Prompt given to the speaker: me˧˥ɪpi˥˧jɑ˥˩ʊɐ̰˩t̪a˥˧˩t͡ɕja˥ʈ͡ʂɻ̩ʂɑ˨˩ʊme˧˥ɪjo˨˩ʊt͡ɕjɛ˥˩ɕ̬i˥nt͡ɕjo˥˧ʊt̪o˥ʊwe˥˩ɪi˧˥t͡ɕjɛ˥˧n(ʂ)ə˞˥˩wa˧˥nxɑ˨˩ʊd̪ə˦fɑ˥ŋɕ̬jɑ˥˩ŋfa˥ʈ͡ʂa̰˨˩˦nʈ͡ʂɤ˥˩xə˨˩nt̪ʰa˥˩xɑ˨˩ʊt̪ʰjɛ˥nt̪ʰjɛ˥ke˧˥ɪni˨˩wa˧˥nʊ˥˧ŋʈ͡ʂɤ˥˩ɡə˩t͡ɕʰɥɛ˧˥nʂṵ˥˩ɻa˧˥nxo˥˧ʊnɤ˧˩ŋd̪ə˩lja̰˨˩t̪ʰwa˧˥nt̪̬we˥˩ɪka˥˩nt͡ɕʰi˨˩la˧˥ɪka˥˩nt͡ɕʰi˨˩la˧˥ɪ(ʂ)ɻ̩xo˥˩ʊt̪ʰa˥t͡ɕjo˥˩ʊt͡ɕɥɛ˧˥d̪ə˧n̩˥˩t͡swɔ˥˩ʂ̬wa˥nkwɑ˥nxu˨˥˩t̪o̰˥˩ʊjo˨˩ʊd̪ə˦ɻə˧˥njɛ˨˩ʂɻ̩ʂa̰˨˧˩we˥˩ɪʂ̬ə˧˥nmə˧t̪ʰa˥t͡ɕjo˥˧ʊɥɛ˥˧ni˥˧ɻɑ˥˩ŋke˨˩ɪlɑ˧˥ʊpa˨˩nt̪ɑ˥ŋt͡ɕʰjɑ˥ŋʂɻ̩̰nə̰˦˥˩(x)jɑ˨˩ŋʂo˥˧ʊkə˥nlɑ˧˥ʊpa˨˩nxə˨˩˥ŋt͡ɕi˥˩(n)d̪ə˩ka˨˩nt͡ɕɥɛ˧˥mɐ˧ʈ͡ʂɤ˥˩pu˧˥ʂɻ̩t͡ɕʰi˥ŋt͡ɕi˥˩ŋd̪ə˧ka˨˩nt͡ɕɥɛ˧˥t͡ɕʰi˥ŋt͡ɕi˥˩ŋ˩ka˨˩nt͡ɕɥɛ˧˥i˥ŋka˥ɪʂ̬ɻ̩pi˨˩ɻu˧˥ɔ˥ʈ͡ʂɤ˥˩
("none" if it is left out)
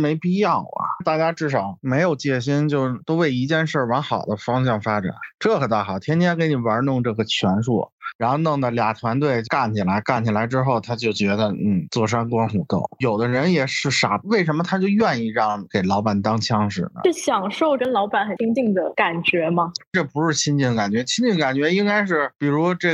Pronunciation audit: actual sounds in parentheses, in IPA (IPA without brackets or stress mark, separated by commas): ʂ, ʈ͡ʂ, ɕ, ŋ